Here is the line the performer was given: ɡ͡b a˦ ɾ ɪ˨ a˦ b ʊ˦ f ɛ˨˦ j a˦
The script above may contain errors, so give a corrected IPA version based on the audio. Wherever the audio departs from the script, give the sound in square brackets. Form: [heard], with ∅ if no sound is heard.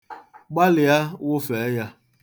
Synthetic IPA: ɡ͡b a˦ [l] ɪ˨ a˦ [w] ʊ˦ f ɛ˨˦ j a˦